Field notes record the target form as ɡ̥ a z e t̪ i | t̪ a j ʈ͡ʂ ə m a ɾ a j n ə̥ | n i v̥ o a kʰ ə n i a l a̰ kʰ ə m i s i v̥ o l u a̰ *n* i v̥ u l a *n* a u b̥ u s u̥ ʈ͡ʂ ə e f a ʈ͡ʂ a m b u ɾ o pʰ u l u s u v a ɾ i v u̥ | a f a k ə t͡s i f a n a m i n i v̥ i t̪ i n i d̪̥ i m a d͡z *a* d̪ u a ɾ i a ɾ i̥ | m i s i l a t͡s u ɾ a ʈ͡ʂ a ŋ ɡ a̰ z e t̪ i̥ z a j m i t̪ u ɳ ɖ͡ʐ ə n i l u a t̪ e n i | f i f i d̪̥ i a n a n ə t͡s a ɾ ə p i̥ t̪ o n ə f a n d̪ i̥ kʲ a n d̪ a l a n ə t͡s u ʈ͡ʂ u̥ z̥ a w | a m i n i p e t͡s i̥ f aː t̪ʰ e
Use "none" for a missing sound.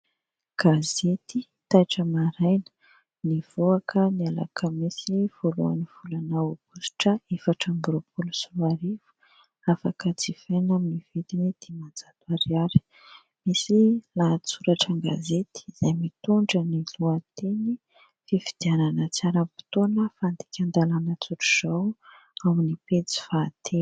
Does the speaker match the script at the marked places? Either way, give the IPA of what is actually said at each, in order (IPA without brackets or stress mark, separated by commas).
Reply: n, n, a